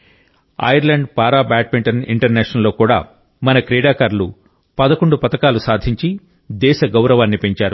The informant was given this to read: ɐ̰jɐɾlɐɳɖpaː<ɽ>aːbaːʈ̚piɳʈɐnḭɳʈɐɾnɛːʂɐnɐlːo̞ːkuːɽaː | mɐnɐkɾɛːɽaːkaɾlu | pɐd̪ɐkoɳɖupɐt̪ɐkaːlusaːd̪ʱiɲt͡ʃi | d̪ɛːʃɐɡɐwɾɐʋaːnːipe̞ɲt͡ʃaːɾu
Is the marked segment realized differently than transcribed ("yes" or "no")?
yes